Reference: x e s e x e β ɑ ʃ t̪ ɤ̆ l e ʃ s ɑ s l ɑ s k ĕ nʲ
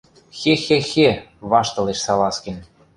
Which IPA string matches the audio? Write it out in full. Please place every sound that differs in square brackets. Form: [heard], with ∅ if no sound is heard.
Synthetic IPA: x e [x] e x e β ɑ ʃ t̪ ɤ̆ l e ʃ s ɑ [∅] l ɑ s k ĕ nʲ